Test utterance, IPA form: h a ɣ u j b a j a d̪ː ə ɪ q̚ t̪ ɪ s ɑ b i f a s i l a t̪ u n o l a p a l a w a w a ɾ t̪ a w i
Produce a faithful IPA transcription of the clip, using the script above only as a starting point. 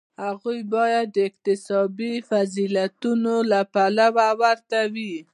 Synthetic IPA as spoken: h a ɣ u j b ɑ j a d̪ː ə ɪ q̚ t̪ ɪ s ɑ b i f a z i l a t̪ u n o l a p a l a w a w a ɾ t̪ a w i

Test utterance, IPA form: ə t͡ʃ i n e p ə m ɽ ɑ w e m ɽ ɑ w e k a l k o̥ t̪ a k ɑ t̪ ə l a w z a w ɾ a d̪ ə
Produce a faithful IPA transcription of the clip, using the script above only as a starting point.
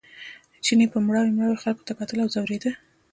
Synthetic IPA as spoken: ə t͡ʃ i n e p ə m ɽ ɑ w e m ɽ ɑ w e x a l k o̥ t̪ a k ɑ t̪ ə l a w z a w ɾ e d̪ ə

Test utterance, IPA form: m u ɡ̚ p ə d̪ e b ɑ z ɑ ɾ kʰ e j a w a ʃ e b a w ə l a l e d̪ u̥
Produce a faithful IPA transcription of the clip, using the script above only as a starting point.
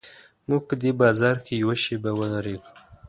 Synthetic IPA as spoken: m u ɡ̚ p ə d̪ e b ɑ z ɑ ɾ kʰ e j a w a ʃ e b a w ə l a ɾ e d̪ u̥

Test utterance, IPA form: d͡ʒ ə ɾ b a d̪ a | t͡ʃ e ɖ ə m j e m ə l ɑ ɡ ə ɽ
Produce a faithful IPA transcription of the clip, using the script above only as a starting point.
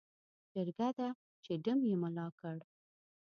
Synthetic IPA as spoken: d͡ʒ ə ɾ ɡ a d̪ a | t͡ʃ e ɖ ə m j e m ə l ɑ k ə ɽ

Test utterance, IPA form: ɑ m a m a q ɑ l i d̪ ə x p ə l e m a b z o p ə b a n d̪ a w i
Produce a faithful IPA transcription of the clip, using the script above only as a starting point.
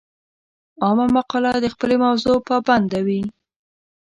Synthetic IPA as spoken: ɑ m a m a q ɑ l a d̪ ə x p ə l e m a w z o p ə b a n d̪ a w i

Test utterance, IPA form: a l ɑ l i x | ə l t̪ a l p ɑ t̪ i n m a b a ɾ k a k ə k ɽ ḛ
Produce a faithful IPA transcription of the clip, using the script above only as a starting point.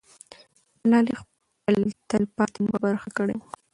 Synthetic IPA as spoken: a l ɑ l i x | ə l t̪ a l p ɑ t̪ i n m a b a ɾ x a k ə ɽ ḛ

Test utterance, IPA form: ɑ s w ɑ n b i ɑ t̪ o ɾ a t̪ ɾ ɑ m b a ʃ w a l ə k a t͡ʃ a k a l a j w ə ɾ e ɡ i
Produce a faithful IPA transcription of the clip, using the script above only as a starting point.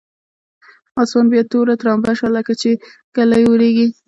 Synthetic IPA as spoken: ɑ s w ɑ n b j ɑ t̪ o ɾ a t̪ ɾ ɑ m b a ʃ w a l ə k a t͡ʃ e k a l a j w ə ɾ e ɡ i

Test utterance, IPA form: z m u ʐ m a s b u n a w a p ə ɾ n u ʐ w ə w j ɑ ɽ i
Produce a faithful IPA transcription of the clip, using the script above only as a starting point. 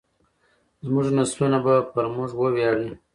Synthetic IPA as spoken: z m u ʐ n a s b u n a b a p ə ɾ m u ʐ w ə w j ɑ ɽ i

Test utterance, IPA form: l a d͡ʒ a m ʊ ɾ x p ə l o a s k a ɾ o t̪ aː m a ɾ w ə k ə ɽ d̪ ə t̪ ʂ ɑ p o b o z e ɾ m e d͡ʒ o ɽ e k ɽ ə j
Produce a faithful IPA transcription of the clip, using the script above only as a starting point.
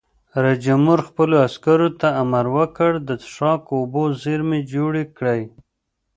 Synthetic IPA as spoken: ɾ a d͡ʒ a m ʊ ɾ x p ə l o a s k a ɾ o t̪ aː m a ɾ w ə k ə ɽ d̪ ə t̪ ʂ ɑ k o b o z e ɾ m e d͡ʒ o ɽ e k ɽ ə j

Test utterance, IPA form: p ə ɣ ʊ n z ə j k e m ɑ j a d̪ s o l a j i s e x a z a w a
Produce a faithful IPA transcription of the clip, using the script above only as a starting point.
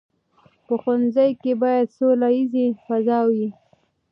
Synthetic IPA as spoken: p ə x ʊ n z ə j k e b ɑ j a d̪ s o l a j i z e f a z ɑ w i

